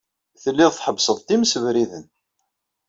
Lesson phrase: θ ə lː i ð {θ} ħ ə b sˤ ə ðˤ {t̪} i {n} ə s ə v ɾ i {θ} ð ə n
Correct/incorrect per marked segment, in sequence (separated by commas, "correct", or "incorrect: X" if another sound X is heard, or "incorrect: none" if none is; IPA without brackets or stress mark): correct, correct, incorrect: m, incorrect: none